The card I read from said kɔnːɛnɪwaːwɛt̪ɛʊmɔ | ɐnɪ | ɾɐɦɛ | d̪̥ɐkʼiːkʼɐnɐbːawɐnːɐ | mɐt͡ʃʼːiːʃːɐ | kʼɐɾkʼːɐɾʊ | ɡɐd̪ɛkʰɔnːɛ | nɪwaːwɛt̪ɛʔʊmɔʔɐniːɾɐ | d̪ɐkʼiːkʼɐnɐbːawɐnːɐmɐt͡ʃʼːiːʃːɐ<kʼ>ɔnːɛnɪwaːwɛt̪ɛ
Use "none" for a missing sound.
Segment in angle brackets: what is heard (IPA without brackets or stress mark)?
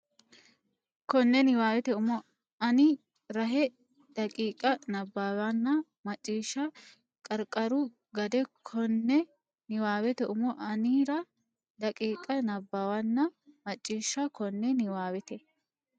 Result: k